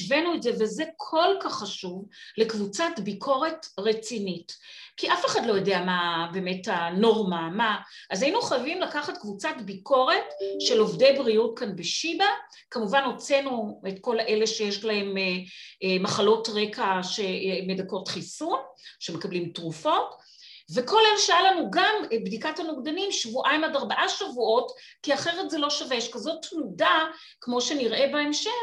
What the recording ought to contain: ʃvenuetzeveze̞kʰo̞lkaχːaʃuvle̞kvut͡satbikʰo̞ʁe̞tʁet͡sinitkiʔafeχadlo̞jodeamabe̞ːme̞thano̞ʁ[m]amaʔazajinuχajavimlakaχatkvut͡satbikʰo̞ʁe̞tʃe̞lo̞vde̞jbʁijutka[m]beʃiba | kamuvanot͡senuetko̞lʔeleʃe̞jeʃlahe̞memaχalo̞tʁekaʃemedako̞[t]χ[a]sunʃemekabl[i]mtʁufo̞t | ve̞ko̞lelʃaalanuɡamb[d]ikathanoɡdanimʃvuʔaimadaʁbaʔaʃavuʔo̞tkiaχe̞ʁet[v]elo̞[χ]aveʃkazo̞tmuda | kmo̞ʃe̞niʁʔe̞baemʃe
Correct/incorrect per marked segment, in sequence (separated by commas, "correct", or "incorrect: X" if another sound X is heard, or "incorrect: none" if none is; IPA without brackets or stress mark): correct, incorrect: n, correct, incorrect: i, correct, correct, incorrect: z, incorrect: ʃ